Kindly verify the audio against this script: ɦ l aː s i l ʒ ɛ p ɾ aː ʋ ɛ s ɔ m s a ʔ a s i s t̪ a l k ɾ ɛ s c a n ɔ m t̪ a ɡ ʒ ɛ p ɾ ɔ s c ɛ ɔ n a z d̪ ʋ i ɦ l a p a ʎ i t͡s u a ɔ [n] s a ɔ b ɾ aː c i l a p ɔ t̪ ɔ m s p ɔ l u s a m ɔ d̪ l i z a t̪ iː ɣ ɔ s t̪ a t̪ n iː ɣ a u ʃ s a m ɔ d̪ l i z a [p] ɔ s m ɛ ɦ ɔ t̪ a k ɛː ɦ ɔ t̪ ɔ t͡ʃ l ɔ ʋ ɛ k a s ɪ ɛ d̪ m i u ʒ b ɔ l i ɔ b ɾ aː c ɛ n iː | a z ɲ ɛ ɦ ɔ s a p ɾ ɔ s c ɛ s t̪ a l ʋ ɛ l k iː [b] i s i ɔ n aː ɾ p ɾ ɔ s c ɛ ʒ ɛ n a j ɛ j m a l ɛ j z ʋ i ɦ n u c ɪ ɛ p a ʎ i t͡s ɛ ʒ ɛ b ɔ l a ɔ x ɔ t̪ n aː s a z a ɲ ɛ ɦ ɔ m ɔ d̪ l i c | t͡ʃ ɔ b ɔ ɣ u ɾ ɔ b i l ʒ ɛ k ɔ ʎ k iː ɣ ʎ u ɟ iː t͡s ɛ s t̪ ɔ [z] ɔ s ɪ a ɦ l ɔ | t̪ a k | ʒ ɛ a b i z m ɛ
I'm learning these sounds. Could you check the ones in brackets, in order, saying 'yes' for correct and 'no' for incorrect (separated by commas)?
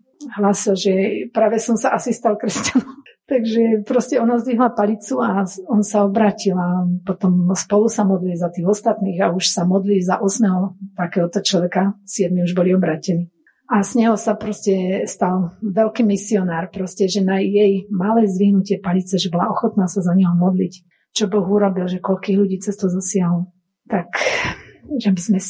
yes, no, no, yes